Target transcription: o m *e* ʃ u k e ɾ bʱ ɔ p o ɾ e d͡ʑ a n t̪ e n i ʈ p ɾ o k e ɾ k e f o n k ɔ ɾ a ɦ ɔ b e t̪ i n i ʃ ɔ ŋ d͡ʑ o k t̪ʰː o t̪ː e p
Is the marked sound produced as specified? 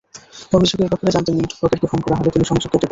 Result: no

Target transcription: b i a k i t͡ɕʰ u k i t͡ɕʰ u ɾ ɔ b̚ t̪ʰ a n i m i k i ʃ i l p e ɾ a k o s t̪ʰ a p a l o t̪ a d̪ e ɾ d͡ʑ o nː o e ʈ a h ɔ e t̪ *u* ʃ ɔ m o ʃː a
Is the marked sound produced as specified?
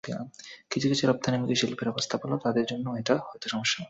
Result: no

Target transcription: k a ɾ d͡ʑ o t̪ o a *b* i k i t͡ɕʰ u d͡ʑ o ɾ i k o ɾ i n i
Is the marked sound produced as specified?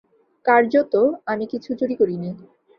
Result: no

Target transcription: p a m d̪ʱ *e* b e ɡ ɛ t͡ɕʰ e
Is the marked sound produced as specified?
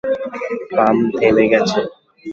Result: yes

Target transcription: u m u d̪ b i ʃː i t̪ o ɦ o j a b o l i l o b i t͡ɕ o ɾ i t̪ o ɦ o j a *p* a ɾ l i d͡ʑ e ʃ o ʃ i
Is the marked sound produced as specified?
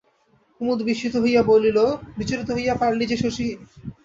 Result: yes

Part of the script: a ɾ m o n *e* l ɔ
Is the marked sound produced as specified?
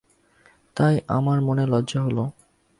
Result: yes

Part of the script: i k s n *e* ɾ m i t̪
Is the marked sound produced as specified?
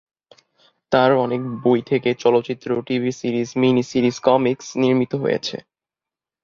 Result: no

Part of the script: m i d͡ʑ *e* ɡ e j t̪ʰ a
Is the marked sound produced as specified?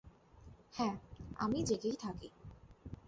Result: yes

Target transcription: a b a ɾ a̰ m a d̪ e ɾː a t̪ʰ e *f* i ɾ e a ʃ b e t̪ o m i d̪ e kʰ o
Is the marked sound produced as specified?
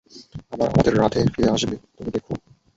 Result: yes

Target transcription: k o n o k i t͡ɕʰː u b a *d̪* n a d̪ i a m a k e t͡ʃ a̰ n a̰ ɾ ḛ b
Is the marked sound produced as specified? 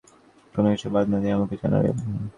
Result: yes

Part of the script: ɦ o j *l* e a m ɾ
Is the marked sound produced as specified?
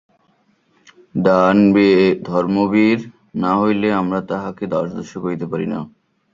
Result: yes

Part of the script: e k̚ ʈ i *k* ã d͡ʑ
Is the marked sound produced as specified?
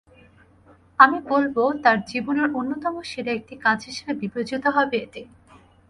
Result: yes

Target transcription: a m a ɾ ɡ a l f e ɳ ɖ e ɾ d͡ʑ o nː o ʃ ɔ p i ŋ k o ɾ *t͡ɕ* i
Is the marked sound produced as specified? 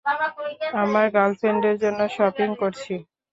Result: no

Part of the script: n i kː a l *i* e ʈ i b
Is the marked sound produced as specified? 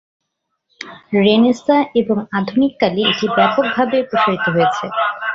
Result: yes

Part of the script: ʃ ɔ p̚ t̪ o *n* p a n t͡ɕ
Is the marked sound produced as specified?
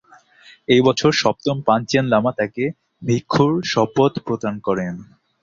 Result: no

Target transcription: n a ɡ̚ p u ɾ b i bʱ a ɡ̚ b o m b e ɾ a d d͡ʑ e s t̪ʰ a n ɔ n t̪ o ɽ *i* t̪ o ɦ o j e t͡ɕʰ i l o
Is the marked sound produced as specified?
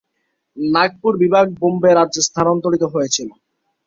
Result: yes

